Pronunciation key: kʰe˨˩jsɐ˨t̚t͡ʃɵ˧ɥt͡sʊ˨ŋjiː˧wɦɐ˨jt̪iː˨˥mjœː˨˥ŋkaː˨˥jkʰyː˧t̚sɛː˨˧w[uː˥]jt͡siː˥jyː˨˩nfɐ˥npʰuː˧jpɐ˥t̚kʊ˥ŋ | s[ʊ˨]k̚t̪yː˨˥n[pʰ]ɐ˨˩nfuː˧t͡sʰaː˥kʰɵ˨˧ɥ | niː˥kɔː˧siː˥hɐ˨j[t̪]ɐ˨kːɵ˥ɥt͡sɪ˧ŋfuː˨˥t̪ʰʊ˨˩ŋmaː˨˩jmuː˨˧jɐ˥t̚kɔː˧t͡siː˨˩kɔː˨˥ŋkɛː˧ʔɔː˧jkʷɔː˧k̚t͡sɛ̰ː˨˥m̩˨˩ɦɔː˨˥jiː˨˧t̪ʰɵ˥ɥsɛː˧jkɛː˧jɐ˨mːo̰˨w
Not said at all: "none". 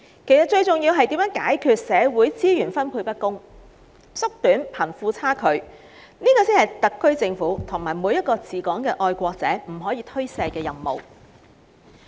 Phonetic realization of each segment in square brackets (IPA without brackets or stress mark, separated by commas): uː˨˥, ʊ˥, pʰ, t̪